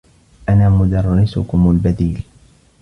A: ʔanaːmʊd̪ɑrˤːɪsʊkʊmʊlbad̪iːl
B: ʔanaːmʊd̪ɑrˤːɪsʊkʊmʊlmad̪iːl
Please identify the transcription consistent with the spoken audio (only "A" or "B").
A